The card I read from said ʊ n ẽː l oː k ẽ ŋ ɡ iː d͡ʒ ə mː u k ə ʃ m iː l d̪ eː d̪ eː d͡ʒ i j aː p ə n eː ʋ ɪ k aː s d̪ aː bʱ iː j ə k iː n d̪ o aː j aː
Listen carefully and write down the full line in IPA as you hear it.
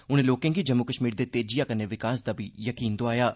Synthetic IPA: ʊ n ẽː l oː k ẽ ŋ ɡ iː d͡ʒ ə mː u k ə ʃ m iː ɾ d̪ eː t̪ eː d͡ʒ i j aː k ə n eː ʋ ɪ k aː s d̪ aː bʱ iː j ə k iː n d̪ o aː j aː